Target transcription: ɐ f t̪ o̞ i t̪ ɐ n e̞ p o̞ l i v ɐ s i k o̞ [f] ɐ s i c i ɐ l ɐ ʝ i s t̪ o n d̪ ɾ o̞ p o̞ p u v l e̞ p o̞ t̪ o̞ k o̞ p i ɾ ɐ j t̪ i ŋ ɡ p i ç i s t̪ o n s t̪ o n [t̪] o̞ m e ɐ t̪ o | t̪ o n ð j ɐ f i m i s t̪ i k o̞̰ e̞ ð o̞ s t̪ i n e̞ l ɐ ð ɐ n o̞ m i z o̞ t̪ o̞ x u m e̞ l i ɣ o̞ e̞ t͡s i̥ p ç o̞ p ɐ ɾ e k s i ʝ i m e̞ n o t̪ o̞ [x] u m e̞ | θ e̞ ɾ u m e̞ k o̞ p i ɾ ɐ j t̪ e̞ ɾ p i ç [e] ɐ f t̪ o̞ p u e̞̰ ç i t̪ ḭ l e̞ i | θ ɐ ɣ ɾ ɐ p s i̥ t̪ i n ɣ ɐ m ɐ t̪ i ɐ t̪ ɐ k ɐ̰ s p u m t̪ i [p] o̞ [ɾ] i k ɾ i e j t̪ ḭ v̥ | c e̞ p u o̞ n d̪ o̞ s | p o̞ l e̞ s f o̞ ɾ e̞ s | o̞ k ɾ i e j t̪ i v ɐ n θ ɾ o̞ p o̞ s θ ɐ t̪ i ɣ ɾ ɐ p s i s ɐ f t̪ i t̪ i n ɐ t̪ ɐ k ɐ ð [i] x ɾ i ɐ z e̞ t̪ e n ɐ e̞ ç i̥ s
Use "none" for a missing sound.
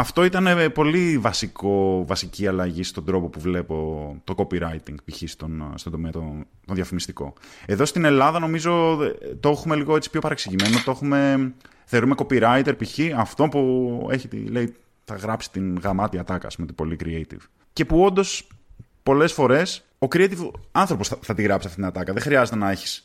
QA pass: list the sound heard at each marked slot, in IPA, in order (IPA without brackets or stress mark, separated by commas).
v, d̪, x, i, b, l, e